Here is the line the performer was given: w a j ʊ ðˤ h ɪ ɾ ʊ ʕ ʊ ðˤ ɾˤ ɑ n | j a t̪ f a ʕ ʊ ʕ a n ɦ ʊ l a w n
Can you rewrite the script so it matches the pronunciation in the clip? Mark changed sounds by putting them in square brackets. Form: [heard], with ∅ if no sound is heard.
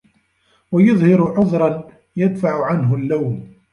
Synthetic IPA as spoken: w a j ʊ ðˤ h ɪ ɾ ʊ ʕ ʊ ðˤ ɾˤ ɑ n | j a [d̪] f a ʕ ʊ ʕ a n ɦ ʊ [lː] a w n